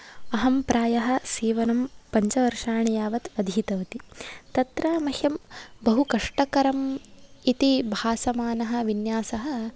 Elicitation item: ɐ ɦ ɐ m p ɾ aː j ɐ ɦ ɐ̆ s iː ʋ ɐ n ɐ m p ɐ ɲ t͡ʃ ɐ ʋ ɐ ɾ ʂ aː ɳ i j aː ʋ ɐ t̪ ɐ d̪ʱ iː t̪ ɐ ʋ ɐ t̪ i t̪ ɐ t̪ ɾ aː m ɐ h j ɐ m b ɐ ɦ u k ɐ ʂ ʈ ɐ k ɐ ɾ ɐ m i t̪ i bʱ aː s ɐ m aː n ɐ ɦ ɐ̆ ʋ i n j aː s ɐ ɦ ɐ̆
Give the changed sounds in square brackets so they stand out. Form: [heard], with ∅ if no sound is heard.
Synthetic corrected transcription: ɐ ɦ ɐ m p ɾ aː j ɐ ɦ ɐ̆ s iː ʋ ɐ n ɐ m p ɐ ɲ t͡ʃ ɐ ʋ ɐ ɾ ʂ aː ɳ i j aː ʋ ɐ t̪ ɐ d̪ʱ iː t̪ ɐ ʋ ɐ t̪ i t̪ ɐ t̪ ɾ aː m ɐ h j ɐ m b ɐ ɦ u k ɐ ʂ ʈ ɐ k ɐ ɾ ɐ m i t̪ i bʱ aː s ɐ m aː n ɐ ɦ ɐ̆ ʋ i n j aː s ɐ ɦ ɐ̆